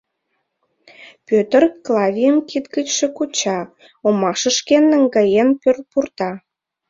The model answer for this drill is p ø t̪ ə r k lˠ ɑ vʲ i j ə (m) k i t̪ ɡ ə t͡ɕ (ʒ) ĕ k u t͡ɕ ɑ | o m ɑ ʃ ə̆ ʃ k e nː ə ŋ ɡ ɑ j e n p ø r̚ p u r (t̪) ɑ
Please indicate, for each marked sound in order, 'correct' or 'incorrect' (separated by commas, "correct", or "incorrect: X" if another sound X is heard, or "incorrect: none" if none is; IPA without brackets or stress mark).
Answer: correct, incorrect: ʃ, correct